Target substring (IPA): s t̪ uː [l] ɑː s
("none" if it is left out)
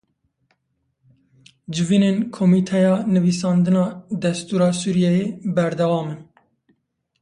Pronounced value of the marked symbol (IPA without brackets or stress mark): ɾ